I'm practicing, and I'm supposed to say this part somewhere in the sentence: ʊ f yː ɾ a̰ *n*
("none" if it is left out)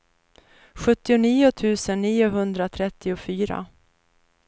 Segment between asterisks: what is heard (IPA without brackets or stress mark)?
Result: none